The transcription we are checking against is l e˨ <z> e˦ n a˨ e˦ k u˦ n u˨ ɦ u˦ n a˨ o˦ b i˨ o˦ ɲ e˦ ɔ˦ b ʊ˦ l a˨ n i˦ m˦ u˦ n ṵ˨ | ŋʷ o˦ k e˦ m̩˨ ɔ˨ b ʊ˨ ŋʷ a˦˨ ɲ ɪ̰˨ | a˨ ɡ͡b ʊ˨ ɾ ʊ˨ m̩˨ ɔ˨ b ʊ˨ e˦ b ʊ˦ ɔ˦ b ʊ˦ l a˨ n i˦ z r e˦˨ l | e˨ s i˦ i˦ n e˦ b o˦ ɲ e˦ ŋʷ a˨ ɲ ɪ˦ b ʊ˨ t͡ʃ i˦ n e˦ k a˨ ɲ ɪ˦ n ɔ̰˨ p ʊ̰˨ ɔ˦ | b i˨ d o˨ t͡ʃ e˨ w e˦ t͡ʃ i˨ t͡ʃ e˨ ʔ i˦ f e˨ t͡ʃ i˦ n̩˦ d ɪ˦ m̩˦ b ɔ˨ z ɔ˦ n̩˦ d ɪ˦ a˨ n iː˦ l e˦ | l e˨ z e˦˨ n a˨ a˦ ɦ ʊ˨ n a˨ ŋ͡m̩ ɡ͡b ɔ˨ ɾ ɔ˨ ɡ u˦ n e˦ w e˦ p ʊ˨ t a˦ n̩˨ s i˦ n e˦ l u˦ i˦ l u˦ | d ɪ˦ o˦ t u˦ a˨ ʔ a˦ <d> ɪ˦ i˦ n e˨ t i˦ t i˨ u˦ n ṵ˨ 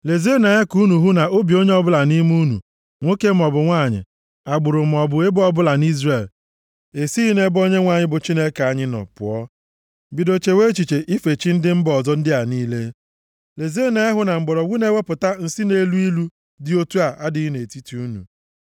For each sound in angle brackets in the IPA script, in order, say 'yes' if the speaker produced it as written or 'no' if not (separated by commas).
yes, yes